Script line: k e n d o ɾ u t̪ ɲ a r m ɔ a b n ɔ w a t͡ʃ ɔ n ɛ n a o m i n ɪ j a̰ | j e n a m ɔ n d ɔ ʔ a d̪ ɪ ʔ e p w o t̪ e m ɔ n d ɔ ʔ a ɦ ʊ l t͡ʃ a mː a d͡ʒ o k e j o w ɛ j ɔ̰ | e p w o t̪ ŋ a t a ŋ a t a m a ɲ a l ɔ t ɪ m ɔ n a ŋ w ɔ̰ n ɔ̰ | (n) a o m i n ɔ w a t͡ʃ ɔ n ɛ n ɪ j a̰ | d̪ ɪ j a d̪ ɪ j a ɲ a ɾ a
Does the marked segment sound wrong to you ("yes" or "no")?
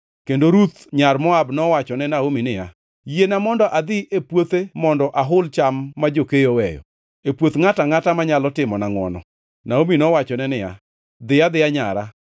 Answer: no